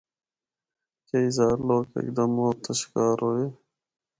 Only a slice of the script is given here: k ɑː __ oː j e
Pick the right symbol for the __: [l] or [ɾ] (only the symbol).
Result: ɾ